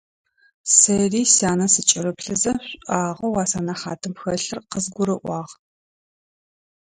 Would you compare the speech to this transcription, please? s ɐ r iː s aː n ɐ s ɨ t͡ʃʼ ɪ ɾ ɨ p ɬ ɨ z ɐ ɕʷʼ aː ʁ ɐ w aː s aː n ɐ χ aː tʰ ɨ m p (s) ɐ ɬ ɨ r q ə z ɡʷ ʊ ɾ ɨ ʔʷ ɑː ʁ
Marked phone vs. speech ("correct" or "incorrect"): incorrect